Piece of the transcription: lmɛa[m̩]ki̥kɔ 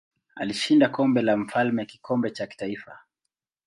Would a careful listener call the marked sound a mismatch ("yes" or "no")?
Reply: yes